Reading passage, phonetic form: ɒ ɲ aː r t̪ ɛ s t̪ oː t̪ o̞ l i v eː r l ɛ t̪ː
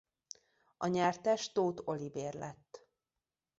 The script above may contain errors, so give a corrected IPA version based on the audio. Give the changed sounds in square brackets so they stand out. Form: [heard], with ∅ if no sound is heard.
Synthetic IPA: ɒ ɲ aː r t̪ ɛ [ʃ] t̪ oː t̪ o̞ l i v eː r l ɛ t̪ː